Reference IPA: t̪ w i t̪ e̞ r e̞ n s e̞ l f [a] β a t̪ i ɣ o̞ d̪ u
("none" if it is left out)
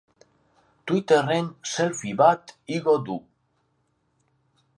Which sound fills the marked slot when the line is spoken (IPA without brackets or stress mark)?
i